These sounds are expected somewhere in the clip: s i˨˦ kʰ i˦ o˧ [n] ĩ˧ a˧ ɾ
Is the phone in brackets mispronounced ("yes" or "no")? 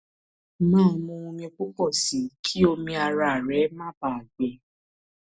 yes